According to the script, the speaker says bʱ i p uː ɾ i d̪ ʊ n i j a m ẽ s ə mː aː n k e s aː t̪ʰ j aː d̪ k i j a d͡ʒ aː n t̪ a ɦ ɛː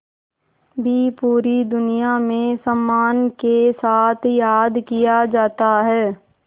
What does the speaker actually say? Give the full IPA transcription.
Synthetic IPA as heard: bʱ i p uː ɾ i d̪ ʊ n i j a m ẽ s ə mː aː n k e s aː t̪ʰ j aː d̪ k i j a d͡ʒ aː t̪ a ɦ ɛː